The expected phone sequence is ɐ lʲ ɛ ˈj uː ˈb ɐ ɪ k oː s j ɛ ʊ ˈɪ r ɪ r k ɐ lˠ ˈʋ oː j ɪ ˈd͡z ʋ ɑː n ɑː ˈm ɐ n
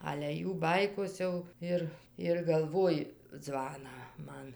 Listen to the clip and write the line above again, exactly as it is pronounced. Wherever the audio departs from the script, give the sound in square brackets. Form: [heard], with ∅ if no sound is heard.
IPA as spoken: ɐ lʲ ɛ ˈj uː ˈb ɐ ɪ k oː s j ɛ ʊ ˈɪ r ɪ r [ɡ] ɐ lˠ ˈʋ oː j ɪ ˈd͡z ʋ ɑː n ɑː ˈm ɐ n